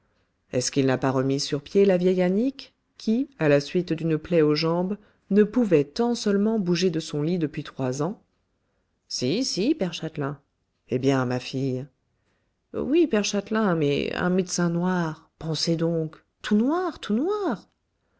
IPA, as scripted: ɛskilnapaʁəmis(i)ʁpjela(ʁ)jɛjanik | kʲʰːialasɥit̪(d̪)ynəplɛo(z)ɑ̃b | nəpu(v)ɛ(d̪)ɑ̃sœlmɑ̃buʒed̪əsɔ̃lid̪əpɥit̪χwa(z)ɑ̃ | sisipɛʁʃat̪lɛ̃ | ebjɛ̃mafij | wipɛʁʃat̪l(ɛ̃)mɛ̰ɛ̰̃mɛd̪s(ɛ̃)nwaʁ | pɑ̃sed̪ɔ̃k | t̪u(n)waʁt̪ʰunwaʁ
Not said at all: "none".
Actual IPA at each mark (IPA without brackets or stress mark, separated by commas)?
y, v, d̪, ʒ, v, t̪, z, ɛ̃, ɛ̃, n